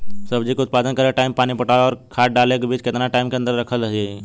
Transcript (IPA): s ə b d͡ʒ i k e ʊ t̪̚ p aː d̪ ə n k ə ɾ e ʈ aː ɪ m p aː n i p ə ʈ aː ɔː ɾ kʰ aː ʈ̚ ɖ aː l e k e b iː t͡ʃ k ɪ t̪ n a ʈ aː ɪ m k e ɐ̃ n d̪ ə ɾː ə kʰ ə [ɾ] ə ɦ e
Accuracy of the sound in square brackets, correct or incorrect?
incorrect